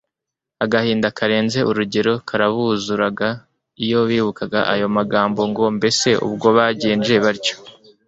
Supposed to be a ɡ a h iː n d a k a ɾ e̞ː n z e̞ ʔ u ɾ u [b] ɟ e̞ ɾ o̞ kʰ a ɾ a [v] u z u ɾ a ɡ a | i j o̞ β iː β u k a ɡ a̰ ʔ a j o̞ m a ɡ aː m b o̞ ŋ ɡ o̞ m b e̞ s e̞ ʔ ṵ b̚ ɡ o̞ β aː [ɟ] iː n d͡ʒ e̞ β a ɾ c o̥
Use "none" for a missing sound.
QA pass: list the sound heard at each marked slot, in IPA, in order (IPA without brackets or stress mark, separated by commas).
none, β, ɟ